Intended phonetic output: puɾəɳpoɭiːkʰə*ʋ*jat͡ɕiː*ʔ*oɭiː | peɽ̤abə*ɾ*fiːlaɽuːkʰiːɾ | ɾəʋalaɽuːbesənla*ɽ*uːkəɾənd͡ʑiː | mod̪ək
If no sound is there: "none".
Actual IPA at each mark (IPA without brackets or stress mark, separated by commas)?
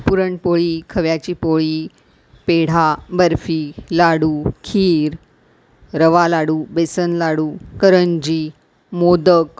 ʋ, p, ɾ, ɽ